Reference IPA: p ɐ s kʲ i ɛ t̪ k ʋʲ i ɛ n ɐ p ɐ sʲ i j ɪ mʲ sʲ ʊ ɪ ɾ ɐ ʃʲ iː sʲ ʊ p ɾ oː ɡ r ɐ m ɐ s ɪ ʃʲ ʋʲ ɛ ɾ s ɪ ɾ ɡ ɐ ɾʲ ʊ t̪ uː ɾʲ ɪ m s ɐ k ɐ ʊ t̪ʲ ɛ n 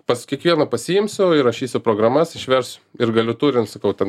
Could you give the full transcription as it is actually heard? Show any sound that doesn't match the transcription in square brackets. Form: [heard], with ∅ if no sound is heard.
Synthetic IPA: p ɐ s kʲ i ɛ [∅] k ʋʲ i ɛ n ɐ p ɐ sʲ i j ɪ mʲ sʲ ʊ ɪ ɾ ɐ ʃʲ iː sʲ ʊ p ɾ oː ɡ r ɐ m ɐ s ɪ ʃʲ ʋʲ ɛ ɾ s ɪ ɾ ɡ ɐ [lʲ] ʊ t̪ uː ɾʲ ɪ [n] s ɐ k ɐ ʊ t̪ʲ ɛ n